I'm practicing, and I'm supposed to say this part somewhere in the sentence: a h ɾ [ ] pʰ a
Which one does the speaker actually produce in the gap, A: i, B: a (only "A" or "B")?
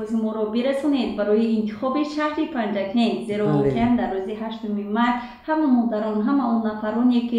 A